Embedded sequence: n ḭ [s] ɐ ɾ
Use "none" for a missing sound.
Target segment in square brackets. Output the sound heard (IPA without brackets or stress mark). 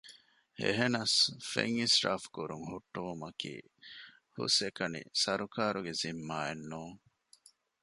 s